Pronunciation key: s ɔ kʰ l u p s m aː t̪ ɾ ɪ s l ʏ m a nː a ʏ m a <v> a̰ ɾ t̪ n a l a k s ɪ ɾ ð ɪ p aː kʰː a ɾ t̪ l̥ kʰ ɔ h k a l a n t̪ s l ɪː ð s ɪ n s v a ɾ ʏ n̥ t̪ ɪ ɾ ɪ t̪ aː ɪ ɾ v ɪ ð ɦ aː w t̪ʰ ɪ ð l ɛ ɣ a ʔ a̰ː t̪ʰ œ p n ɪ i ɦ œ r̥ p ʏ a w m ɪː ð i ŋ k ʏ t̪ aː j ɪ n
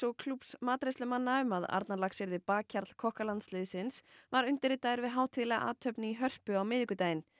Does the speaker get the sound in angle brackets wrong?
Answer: yes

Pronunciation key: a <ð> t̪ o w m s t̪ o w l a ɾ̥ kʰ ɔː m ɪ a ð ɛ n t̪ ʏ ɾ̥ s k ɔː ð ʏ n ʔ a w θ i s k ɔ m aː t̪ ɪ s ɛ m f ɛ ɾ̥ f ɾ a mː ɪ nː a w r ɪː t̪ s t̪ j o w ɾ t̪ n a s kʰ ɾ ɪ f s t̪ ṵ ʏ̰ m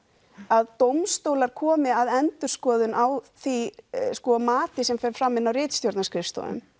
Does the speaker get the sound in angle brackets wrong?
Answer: no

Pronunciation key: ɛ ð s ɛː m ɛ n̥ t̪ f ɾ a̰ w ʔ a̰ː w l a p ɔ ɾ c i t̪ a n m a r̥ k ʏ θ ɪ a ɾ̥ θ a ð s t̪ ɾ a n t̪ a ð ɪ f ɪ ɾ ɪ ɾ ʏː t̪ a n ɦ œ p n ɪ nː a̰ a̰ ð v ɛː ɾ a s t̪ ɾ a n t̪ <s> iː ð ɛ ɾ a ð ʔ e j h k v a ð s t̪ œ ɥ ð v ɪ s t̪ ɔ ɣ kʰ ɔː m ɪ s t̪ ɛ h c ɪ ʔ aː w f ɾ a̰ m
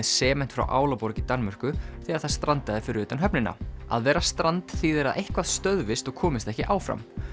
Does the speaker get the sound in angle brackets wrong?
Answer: yes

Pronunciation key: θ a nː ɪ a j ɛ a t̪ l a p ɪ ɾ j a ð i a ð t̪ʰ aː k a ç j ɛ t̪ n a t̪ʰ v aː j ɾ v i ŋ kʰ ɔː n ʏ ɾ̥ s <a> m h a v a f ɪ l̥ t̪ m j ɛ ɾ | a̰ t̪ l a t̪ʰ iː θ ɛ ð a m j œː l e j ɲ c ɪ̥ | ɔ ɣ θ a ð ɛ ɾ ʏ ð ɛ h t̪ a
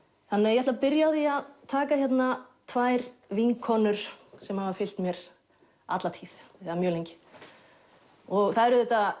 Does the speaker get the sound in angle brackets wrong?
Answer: yes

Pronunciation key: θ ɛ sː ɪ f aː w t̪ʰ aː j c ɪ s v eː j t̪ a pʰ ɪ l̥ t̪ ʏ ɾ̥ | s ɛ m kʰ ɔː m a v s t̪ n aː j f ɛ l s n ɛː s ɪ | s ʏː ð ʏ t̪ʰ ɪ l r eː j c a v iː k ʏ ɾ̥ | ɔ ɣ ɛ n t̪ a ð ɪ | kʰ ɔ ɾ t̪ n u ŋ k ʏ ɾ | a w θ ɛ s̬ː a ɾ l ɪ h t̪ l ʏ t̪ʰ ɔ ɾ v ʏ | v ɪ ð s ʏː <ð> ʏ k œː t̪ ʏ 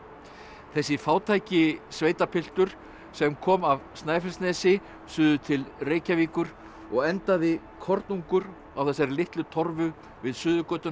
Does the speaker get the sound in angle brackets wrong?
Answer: no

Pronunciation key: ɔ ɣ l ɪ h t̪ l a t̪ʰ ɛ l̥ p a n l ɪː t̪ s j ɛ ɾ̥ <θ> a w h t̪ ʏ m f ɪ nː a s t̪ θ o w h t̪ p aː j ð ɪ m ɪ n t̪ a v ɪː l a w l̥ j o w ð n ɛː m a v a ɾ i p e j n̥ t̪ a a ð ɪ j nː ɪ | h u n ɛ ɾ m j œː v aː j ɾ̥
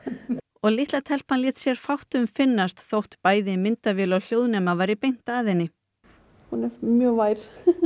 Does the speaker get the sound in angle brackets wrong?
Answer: yes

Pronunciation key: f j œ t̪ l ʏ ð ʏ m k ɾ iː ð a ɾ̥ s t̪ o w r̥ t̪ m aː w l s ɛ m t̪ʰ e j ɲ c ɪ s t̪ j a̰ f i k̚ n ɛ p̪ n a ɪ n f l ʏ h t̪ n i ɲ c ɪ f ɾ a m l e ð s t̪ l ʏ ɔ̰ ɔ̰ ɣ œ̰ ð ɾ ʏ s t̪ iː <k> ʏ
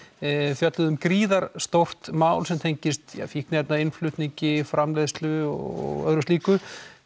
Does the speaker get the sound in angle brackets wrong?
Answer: no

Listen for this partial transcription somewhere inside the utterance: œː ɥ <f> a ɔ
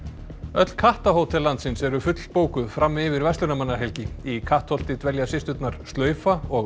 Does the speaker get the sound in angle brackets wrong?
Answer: no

